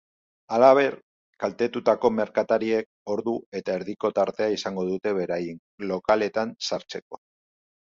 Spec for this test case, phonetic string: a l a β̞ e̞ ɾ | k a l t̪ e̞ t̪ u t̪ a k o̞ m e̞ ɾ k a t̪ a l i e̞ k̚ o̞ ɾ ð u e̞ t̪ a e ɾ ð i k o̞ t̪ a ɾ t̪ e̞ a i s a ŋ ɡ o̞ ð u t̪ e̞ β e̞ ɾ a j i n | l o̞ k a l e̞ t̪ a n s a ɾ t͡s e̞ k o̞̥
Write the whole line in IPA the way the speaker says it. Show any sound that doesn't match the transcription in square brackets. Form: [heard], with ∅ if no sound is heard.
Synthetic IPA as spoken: a l a β̞ e̞ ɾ | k a l t̪ e̞ t̪ u t̪ a k o̞ m e̞ ɾ k a t̪ a [ɾ] i e̞ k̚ o̞ ɾ ð u e̞ t̪ a e ɾ ð i k o̞ t̪ a ɾ t̪ e̞ a i s a ŋ ɡ o̞ ð u t̪ e̞ β e̞ ɾ a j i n | l o̞ k a l e̞ t̪ a n s a ɾ t͡s e̞ k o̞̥